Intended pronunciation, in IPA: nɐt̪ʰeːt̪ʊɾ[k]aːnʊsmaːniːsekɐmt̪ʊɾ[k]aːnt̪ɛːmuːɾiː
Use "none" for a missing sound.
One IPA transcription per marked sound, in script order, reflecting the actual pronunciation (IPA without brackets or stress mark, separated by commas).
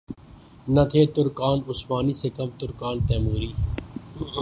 k, k